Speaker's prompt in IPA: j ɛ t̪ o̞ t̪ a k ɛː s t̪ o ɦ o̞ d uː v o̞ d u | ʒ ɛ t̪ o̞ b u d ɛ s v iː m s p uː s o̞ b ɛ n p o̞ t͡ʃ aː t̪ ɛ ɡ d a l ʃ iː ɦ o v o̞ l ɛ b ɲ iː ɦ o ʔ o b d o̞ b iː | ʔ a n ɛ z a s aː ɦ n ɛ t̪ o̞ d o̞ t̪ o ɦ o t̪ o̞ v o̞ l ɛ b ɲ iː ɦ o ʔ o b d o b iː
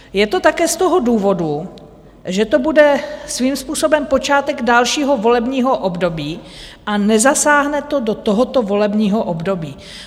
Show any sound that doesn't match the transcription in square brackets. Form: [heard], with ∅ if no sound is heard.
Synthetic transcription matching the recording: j ɛ t̪ o̞ t̪ a k ɛː s t̪ o ɦ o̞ d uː v o̞ d u | ʒ ɛ t̪ o̞ b u d ɛ s v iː m s p uː s o̞ b ɛ [m] p o̞ t͡ʃ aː t̪ ɛ ɡ d a l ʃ iː ɦ o v o̞ l ɛ b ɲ iː ɦ o ʔ o b d o̞ b iː | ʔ a n ɛ z a s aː ɦ n ɛ t̪ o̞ d o̞ t̪ o ɦ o t̪ o̞ v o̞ l ɛ b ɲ iː ɦ o ʔ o b d o b iː